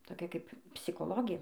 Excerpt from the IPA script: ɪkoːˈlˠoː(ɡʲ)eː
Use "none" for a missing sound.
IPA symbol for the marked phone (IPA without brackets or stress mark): ɡʲ